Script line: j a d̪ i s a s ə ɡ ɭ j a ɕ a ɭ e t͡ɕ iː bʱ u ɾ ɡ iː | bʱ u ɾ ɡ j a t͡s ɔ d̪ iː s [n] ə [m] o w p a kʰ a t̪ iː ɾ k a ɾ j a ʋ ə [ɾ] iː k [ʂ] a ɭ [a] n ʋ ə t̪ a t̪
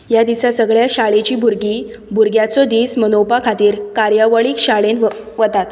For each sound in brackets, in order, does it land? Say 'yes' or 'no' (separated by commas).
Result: no, no, no, no, no